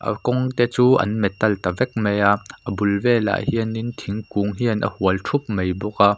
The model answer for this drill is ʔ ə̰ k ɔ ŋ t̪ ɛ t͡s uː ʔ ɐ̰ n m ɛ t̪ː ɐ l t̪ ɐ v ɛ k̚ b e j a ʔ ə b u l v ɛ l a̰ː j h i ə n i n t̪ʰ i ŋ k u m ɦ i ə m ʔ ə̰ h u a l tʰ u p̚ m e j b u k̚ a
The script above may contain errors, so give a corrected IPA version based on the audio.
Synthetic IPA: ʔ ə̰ k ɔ ŋ t̪ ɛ t͡s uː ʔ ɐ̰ n m ɛ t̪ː ɐ l t̪ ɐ v ɛ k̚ m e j a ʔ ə b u l v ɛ l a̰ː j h i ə n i n t̪ʰ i ŋ k u ŋ ɦ i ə n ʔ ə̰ h u ə l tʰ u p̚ m e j b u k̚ a